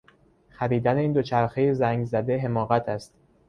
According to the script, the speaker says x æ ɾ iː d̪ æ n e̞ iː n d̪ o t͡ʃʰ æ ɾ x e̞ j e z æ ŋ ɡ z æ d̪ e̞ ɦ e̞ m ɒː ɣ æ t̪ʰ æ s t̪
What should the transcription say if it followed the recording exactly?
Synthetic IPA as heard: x æ ɾ iː d̪ æ n e̞ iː n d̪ o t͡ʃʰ æ ɾ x e̞ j e z æ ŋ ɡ z æ d̪ e̞ ɦ e̞ m ɒː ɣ æ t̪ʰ æ s t̪